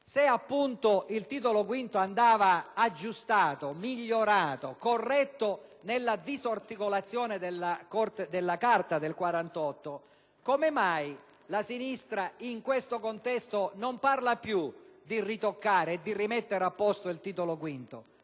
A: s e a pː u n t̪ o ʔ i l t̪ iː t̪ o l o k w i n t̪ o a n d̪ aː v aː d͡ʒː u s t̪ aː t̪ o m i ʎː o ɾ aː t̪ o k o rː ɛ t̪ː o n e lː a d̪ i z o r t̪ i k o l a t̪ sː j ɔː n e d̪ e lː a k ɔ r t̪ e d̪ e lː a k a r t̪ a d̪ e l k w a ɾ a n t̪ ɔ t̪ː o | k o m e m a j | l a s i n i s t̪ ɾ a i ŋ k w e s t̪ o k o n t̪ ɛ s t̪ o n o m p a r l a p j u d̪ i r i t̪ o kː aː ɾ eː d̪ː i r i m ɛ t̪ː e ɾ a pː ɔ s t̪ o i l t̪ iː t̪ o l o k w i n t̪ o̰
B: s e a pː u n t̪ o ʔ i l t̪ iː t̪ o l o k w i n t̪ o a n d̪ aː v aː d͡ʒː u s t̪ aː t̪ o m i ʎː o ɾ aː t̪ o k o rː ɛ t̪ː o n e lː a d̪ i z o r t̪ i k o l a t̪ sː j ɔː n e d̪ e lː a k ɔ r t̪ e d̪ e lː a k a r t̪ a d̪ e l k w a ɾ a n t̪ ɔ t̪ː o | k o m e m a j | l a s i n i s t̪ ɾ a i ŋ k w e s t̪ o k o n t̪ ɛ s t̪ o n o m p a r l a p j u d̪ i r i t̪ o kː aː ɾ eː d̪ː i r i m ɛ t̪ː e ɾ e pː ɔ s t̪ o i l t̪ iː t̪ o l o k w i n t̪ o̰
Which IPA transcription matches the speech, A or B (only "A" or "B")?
A